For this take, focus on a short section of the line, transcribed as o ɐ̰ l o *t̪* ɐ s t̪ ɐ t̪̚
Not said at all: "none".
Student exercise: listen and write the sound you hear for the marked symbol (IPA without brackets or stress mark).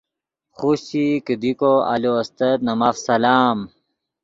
none